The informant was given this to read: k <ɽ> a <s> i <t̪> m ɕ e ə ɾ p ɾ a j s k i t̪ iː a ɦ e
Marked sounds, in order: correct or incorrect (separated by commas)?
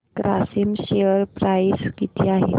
incorrect, correct, incorrect